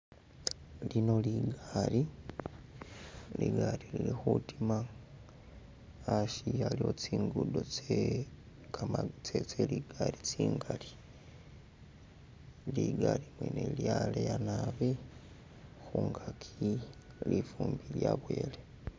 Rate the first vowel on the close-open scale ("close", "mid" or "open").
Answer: close